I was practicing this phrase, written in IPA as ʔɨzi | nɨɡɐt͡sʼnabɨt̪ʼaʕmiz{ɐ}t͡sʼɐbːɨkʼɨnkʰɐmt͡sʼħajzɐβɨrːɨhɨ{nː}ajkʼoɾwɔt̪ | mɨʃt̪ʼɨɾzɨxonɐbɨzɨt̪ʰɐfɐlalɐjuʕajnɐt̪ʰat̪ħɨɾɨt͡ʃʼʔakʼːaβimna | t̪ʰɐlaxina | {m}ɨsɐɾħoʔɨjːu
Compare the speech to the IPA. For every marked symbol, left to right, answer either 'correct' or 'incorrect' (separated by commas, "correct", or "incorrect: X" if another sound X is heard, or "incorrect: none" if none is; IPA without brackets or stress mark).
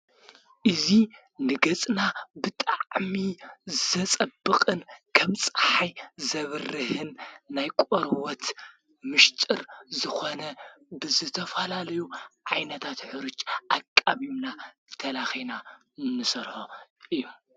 correct, correct, incorrect: n